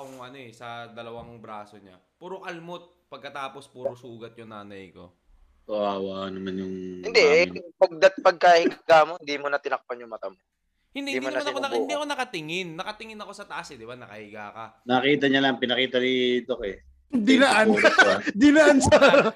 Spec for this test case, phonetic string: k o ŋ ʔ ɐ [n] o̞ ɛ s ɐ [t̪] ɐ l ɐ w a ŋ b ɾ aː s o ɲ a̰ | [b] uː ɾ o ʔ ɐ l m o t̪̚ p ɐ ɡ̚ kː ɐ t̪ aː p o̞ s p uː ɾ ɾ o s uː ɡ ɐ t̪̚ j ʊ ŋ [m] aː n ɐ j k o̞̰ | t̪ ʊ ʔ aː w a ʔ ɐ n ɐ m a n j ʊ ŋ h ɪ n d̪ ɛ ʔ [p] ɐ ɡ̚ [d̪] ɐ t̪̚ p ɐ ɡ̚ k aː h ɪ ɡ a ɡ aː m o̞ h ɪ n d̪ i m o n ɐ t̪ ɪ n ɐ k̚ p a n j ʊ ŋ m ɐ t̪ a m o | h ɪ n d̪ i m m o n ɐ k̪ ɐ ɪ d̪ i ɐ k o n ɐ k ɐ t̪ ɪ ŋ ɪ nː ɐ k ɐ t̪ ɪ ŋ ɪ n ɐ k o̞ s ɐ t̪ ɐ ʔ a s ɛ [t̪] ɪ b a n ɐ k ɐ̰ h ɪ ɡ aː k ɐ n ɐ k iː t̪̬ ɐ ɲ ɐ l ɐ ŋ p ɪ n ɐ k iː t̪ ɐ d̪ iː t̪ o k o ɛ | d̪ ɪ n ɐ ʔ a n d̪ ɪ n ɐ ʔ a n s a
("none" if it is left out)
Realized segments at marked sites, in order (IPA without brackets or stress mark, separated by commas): n, d̪, p, n, p, d̪, d̪